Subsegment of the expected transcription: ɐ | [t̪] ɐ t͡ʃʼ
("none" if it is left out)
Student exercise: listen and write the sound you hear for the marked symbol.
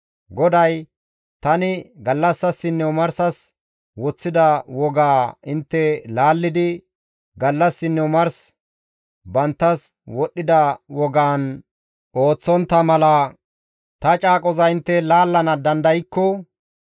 t̪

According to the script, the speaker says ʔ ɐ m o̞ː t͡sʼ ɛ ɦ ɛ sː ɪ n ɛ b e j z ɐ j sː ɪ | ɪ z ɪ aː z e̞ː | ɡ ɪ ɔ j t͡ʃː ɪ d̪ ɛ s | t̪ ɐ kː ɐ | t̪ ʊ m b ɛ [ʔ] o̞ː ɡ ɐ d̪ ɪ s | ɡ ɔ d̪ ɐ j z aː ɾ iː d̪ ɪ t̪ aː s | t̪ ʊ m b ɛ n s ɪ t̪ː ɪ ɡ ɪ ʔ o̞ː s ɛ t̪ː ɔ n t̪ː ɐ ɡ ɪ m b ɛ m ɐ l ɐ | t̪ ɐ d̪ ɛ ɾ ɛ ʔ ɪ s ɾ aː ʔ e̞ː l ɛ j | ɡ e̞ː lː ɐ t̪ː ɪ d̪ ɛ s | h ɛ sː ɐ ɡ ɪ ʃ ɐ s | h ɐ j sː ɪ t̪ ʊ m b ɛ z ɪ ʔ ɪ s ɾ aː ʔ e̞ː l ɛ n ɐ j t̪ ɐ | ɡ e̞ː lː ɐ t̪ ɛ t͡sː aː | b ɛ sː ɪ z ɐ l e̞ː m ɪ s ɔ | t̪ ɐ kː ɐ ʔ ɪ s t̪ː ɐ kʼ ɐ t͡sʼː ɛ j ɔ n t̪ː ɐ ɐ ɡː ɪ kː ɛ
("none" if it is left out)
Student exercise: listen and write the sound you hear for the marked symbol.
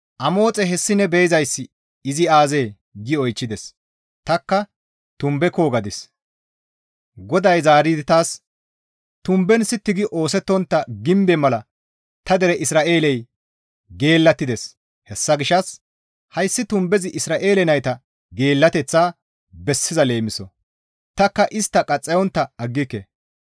k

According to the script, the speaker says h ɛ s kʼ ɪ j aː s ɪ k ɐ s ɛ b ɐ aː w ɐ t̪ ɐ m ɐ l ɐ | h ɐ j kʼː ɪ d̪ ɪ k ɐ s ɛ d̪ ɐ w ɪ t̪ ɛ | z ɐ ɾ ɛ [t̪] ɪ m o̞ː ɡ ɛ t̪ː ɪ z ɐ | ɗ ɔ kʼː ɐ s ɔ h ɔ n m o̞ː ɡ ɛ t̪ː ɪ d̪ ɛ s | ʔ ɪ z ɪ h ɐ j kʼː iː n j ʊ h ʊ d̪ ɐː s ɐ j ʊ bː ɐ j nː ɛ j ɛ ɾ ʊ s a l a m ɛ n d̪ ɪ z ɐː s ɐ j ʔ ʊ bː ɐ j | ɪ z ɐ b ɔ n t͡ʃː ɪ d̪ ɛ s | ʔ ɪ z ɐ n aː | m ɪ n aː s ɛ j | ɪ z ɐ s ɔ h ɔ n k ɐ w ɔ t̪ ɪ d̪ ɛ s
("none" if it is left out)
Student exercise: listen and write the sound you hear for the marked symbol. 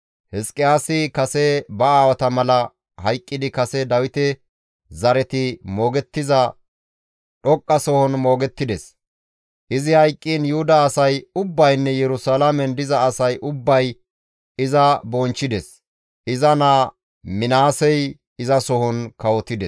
t̪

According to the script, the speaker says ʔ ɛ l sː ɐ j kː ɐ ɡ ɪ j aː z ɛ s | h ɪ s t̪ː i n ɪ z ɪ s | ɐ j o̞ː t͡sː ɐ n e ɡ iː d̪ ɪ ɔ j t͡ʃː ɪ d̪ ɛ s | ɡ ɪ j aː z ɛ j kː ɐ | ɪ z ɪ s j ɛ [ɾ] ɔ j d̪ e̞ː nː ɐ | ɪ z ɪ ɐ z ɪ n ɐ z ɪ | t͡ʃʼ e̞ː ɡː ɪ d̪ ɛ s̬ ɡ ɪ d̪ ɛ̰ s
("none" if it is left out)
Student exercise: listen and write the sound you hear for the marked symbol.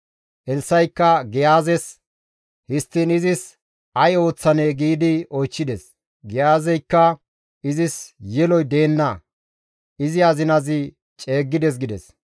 l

